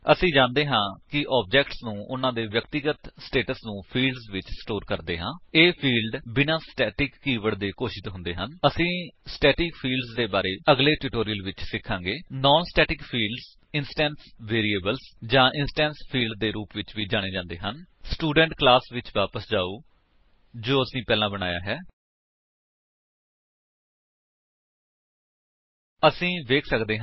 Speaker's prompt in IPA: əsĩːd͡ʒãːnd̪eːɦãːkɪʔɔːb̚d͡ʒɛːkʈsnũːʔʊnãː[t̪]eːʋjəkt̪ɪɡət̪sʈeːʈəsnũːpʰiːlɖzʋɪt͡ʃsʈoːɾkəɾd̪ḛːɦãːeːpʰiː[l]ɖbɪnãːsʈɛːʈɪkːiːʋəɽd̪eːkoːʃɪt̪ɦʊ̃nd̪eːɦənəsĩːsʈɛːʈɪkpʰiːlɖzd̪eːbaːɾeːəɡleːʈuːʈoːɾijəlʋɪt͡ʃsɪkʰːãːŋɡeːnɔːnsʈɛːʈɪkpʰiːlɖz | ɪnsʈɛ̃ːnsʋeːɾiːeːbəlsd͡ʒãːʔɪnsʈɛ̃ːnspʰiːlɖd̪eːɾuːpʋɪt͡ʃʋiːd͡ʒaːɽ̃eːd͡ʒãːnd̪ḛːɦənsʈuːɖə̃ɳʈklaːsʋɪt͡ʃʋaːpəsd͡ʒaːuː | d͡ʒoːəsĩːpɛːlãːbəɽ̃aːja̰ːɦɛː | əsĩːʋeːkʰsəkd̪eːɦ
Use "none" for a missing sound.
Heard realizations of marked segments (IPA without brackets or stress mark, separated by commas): d̪, l